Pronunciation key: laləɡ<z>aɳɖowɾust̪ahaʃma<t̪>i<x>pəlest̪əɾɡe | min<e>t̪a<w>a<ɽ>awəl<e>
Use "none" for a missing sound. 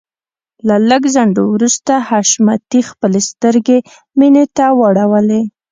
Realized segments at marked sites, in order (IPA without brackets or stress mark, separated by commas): z, t̪, x, e, w, ɽ, e